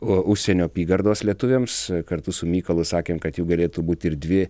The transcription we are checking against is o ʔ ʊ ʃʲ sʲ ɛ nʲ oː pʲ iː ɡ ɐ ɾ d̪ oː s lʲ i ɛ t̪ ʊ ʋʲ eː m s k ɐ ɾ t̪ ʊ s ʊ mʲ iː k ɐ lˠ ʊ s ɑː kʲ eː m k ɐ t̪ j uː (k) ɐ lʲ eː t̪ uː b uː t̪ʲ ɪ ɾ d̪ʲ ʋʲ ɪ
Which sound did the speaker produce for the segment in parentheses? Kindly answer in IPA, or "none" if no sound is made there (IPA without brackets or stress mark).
ɡ